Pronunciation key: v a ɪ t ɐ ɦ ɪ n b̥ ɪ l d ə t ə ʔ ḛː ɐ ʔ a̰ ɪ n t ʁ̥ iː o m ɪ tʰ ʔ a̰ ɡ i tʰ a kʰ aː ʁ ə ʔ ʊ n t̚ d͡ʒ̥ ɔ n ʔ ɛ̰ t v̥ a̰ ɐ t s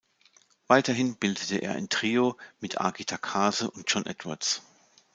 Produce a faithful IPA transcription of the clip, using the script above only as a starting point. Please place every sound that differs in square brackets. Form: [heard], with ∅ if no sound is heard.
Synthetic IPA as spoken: v a ɪ t ɐ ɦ ɪ n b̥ ɪ l d ə t ə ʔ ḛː ɐ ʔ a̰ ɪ n t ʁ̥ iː o m ɪ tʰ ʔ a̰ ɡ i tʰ a kʰ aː [z] ə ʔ ʊ n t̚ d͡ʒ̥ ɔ n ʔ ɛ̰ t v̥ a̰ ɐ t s

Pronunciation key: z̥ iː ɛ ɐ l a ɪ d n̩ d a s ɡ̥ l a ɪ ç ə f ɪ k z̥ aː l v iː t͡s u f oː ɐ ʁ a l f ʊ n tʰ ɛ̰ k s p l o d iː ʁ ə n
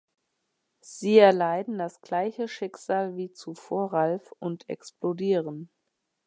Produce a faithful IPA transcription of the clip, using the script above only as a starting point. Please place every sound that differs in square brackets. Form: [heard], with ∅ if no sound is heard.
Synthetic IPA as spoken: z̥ iː ɛ ɐ l a ɪ d n̩ d a s ɡ̥ l a ɪ ç ə [ʃ] ɪ k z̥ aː l v iː t͡s u f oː ɐ ʁ a l f ʊ n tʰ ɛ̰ k s p l o d iː ʁ ə n

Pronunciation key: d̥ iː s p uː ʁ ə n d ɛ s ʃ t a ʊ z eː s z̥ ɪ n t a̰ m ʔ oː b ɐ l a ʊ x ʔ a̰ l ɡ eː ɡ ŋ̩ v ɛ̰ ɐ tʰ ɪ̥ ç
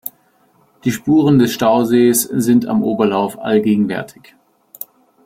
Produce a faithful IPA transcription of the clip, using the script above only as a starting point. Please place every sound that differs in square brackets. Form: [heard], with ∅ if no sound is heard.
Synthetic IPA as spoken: d̥ iː [ʃ] p uː ʁ ə n d ɛ s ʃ t a ʊ z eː s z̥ ɪ n t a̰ m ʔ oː b ɐ l a ʊ [f] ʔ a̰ l ɡ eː ɡ ŋ̩ v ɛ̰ ɐ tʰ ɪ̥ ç

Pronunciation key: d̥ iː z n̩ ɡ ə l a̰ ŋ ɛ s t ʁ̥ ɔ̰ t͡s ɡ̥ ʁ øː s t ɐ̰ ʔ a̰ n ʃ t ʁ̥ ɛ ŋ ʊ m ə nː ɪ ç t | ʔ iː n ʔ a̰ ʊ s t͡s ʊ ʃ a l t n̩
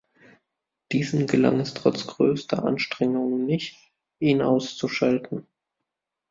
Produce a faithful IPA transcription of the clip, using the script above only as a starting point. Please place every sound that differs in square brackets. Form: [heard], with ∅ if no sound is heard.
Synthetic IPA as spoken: d̥ iː z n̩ ɡ ə l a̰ ŋ ɛ s t ʁ̥ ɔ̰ t͡s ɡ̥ ʁ øː s t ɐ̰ ʔ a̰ n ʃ t ʁ̥ ɛ ŋ ʊ [ŋ] ə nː ɪ ç t | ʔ iː n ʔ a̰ ʊ s t͡s [u] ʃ a l t n̩

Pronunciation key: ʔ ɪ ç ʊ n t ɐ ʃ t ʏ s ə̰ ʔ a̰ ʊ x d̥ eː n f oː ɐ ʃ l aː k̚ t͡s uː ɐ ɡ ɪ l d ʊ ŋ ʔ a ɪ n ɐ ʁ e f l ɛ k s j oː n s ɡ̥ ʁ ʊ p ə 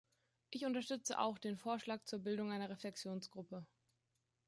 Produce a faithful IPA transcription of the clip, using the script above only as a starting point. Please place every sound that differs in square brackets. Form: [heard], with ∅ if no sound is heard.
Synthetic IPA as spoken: ʔ ɪ ç ʊ n t ɐ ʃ t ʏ [t͡s] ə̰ ʔ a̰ ʊ x d̥ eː n f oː ɐ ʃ l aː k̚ t͡s uː ɐ [b] ɪ l d ʊ ŋ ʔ a ɪ n ɐ ʁ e f l ɛ k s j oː n s ɡ̥ ʁ ʊ p ə

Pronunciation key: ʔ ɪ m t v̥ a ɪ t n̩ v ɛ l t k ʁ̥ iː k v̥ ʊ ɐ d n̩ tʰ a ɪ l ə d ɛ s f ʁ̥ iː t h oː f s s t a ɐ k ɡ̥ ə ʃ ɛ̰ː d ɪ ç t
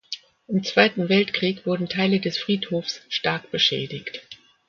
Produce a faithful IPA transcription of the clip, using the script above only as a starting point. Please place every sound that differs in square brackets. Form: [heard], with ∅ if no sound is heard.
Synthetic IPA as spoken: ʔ ɪ m [t͡s] v̥ a ɪ t n̩ v ɛ l t k ʁ̥ iː k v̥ ʊ ɐ d n̩ tʰ a ɪ l ə d ɛ s f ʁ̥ iː t h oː f s [ʃ] t a ɐ k [b̥] ə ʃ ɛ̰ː d ɪ ç t

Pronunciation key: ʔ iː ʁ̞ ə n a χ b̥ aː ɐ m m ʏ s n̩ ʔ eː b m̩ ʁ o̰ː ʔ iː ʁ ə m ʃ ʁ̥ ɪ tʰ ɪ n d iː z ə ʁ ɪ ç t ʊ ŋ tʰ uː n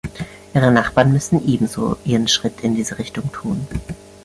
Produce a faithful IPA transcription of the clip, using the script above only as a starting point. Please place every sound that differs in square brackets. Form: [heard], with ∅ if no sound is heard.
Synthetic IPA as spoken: ʔ iː ʁ̞ ə n a χ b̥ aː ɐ [n] m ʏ s n̩ ʔ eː b m̩ [z] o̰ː ʔ iː ʁ ə [n] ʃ ʁ̥ ɪ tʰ ɪ n d iː z ə ʁ ɪ ç t ʊ ŋ tʰ uː n

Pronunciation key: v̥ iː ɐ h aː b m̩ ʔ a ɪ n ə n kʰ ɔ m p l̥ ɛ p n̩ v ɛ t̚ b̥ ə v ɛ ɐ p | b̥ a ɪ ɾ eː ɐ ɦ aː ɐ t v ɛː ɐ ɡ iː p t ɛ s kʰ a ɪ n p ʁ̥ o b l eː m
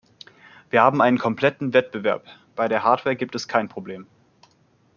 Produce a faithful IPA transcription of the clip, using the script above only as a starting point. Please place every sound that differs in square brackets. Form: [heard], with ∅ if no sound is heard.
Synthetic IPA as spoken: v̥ iː ɐ h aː b m̩ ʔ a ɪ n ə n kʰ ɔ m p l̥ ɛ [t] n̩ v ɛ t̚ b̥ ə v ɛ ɐ p | b̥ a ɪ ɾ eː ɐ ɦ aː ɐ t v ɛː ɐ ɡ iː p t ɛ s kʰ a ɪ n p ʁ̥ o b l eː m

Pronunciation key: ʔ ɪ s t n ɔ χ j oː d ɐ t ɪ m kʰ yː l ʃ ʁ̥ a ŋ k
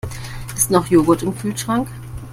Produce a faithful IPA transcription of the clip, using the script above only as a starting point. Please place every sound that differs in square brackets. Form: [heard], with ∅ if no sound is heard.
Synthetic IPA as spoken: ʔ ɪ s t n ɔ χ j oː [ɡ] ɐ t ɪ m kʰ yː l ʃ ʁ̥ a ŋ k

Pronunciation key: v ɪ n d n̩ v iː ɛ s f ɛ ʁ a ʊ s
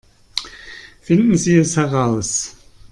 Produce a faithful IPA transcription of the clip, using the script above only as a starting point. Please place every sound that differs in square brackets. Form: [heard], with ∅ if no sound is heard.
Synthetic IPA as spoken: [f] ɪ n d n̩ [z] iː ɛ s [h] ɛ ʁ a ʊ s

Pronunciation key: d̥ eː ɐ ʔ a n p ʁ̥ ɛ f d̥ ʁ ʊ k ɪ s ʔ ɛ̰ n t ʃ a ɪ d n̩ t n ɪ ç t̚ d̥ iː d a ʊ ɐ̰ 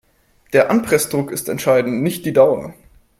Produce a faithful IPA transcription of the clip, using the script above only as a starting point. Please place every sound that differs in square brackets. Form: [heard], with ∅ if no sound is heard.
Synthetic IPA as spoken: d̥ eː ɐ ʔ a n p ʁ̥ ɛ [s] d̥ ʁ ʊ k ɪ s [t] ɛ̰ n t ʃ a ɪ d n̩ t n ɪ ç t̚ d̥ iː d a ʊ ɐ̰

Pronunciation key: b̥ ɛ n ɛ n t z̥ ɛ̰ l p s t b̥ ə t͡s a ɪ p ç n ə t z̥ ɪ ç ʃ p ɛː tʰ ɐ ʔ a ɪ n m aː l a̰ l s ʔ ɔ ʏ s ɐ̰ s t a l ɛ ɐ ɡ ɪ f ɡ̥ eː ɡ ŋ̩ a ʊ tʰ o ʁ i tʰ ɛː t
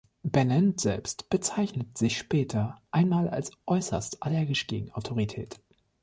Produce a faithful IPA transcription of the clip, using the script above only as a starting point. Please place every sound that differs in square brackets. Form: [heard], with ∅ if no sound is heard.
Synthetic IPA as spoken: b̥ ɛ n ɛ n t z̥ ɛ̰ l p s t b̥ ə t͡s a ɪ [∅] ç n ə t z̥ ɪ ç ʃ p ɛː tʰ ɐ ʔ a ɪ n m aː l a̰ l s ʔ ɔ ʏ s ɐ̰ s t a l ɛ ɐ ɡ ɪ [ʃ] ɡ̥ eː ɡ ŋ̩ a ʊ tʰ o ʁ i tʰ ɛː t

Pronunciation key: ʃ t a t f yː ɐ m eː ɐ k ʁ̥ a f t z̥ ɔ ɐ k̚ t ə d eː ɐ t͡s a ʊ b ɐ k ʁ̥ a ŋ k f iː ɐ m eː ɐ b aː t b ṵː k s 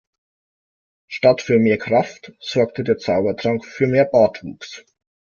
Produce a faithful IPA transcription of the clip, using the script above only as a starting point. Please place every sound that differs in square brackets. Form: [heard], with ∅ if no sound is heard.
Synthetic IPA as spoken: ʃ t a t f yː ɐ m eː ɐ k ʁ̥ a f t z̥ ɔ ɐ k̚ t ə d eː ɐ t͡s a ʊ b ɐ [t] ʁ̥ a ŋ k f [yː] ɐ m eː ɐ b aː t [v] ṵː k s

